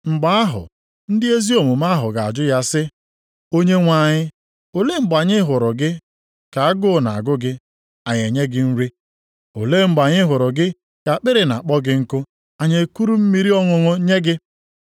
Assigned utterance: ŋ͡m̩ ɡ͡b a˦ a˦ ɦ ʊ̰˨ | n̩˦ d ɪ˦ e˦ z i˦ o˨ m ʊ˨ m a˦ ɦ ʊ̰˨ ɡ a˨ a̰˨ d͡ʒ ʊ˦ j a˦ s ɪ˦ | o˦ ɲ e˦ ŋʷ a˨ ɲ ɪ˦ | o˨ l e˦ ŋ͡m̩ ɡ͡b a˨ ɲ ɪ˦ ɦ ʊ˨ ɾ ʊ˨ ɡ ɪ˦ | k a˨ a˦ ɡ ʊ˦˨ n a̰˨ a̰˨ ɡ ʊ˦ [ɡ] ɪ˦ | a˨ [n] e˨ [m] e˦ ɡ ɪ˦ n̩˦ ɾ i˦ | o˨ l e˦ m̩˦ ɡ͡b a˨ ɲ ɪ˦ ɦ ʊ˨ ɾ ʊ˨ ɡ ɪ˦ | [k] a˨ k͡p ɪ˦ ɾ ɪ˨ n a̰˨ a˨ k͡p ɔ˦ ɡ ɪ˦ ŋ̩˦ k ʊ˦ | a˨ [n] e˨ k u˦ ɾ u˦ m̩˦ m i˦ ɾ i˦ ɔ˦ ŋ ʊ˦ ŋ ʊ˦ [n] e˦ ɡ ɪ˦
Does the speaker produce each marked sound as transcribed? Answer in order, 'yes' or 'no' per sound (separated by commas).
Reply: yes, no, no, yes, no, no